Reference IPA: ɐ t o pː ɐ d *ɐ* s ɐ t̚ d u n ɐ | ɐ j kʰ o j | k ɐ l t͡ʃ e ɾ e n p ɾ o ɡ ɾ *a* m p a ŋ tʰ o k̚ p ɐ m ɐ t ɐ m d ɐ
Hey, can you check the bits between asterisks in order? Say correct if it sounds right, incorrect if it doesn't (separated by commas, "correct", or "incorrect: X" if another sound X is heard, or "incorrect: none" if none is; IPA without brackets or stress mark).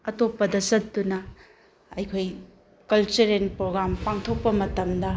correct, correct